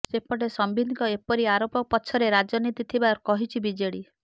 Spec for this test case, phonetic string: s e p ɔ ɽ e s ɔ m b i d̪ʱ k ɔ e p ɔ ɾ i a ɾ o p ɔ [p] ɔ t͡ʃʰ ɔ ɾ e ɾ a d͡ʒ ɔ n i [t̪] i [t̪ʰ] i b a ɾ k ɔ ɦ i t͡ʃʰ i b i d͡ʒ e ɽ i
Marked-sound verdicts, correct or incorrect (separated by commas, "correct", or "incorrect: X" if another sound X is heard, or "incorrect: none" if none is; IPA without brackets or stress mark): correct, correct, correct